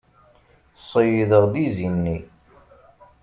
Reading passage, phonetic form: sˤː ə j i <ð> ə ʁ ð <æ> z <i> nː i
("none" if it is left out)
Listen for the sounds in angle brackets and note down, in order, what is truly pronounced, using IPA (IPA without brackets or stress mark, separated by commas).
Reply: ð, i, i